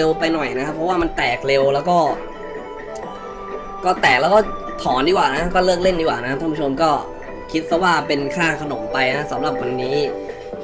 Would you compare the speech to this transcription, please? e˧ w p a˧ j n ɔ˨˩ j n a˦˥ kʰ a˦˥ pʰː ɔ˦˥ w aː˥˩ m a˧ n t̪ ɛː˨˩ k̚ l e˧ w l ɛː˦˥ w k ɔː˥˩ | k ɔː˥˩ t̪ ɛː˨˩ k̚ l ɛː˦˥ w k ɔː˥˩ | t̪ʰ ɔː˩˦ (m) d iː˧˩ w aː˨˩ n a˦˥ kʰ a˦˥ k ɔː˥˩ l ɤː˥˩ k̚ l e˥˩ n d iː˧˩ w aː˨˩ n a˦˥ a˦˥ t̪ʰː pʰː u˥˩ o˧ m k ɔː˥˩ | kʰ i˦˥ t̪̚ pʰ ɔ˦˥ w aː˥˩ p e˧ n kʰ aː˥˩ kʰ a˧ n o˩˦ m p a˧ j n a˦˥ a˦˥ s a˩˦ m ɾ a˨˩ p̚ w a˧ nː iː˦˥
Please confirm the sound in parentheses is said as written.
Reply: no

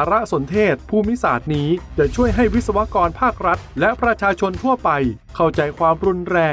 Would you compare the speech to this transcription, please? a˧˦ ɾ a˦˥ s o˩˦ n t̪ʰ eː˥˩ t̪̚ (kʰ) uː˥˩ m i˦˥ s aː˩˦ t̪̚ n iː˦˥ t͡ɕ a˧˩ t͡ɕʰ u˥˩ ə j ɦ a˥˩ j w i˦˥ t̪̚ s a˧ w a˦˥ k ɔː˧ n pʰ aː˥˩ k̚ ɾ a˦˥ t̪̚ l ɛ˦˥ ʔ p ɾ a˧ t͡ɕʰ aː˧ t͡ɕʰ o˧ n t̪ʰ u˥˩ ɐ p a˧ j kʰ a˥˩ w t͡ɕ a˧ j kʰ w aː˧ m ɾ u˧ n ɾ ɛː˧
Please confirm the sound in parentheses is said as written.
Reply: no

